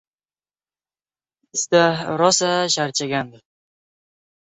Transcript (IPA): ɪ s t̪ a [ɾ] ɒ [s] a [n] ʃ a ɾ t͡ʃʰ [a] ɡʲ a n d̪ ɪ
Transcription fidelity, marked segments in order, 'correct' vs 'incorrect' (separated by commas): correct, correct, incorrect, correct